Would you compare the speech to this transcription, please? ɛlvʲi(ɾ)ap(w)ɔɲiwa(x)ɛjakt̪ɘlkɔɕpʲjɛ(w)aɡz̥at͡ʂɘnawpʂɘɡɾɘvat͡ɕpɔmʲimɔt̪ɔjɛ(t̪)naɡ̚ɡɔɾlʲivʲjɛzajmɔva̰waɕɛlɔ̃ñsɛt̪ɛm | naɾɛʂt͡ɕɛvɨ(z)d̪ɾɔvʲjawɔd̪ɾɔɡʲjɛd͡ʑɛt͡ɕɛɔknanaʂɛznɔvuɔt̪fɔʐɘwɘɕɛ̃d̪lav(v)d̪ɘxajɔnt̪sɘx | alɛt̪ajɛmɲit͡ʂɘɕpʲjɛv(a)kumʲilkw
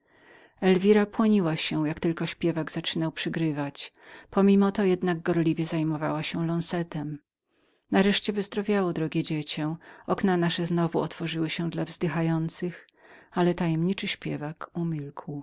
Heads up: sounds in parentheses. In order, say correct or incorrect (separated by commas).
correct, correct, incorrect, incorrect, incorrect, correct, incorrect, correct